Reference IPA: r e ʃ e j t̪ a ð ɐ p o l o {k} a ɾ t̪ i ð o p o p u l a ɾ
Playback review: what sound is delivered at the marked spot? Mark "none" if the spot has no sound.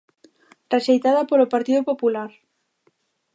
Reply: p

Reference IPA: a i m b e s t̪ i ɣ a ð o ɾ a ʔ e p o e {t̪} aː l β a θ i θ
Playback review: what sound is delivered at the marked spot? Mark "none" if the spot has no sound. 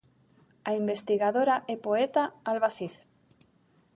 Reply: t̪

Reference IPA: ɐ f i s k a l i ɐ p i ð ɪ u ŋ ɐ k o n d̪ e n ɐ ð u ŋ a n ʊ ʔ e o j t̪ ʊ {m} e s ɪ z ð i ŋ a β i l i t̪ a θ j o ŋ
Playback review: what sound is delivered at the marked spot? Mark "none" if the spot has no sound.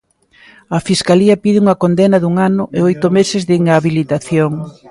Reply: m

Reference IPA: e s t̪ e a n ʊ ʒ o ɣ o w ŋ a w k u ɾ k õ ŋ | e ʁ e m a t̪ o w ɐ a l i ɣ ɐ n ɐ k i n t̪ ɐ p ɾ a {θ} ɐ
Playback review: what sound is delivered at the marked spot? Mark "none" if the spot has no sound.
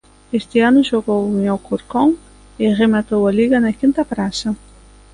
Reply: s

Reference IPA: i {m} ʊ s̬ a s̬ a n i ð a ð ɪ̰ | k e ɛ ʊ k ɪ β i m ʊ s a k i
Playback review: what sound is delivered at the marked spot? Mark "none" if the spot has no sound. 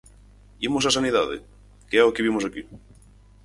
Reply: m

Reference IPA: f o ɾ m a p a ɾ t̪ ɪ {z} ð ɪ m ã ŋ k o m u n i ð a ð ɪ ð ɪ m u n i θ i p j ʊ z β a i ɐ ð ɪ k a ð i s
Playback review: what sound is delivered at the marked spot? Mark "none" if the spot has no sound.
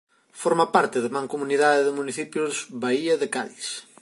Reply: none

